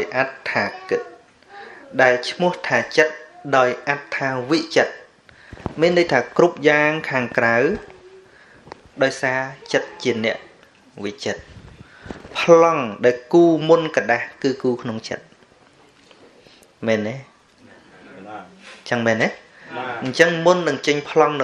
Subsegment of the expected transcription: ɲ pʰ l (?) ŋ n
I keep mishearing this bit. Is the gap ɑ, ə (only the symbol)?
ɑ